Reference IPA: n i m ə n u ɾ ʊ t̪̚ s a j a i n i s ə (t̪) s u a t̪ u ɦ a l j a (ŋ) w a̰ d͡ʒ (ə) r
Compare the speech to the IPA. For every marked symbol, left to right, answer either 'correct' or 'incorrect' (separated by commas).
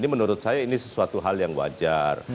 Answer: incorrect, correct, incorrect